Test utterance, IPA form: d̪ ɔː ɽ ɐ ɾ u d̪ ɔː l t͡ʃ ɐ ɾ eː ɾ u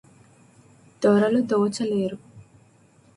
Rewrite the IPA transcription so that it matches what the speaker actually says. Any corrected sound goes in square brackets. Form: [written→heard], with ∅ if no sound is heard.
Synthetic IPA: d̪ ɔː [ɽ→ɾ] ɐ [ɾ→l] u d̪ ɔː [l→∅] t͡ʃ ɐ [ɾ→l] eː ɾ u